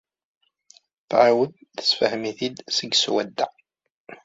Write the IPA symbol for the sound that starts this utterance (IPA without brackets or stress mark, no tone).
θ